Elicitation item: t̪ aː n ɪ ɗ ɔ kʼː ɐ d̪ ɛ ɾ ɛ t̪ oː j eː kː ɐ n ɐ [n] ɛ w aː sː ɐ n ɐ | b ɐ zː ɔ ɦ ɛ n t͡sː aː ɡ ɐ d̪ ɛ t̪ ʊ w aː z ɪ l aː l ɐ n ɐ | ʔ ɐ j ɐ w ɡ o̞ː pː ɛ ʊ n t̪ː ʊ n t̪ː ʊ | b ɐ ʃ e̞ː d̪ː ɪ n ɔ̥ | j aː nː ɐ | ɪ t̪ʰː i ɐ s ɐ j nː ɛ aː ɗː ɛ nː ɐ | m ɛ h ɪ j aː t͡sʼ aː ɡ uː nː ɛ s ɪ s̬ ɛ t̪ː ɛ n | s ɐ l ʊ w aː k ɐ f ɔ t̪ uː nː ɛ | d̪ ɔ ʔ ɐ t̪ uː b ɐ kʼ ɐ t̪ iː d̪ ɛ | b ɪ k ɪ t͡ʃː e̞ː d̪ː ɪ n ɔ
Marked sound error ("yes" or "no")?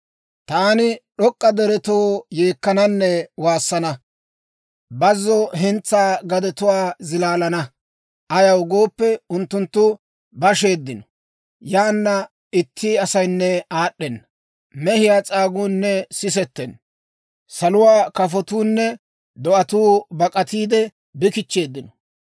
yes